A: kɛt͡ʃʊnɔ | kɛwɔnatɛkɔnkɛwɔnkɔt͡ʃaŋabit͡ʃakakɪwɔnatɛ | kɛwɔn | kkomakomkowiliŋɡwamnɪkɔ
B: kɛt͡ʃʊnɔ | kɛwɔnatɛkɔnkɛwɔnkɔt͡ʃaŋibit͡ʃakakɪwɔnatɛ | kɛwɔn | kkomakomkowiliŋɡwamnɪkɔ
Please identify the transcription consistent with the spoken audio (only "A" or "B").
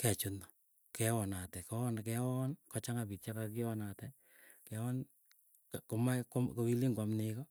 A